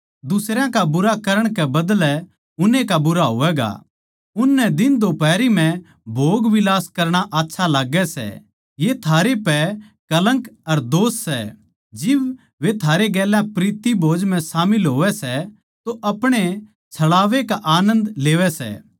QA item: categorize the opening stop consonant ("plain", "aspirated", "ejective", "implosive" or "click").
plain